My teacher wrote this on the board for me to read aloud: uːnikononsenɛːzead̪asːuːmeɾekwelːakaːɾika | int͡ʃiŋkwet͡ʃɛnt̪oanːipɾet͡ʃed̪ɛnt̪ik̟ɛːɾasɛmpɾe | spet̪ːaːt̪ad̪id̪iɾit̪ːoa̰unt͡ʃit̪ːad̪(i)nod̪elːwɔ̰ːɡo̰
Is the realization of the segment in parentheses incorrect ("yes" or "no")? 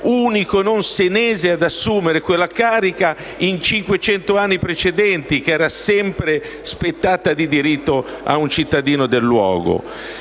yes